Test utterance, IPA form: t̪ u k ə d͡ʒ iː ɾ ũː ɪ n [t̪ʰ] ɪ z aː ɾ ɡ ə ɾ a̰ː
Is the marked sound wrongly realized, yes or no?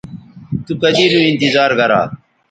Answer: yes